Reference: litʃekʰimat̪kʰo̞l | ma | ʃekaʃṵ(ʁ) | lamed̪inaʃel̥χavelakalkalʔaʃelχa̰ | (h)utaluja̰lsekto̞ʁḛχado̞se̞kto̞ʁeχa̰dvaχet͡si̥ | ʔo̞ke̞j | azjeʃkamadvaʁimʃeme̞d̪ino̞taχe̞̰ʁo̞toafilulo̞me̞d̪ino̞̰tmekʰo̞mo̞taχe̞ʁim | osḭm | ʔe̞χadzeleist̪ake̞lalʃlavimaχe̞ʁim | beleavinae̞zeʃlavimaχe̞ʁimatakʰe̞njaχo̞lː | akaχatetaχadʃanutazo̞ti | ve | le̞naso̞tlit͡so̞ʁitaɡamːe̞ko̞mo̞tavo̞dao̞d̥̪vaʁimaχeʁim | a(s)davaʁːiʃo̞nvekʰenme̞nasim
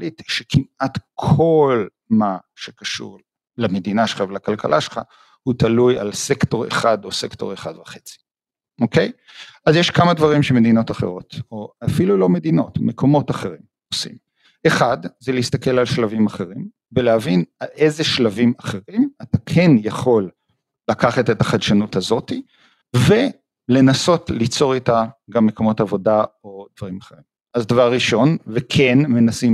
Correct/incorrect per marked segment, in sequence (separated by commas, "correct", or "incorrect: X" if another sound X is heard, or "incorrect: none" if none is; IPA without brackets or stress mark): correct, correct, incorrect: z